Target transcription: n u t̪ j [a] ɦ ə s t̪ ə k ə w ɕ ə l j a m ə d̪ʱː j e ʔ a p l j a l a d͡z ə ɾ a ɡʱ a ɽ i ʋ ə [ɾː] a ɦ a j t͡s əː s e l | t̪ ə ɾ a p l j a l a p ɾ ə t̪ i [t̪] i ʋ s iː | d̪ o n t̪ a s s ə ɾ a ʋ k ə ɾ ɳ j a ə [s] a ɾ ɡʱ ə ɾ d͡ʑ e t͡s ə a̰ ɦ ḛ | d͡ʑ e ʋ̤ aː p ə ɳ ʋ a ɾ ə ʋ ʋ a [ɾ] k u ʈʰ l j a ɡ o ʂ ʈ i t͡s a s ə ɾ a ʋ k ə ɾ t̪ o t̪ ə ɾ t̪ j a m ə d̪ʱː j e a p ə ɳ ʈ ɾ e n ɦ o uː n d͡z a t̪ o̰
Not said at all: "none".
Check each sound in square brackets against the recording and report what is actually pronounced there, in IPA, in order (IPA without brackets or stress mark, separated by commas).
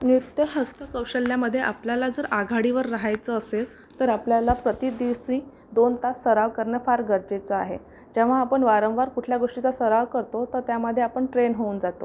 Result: ə, ɾː, d̪, f, ɾ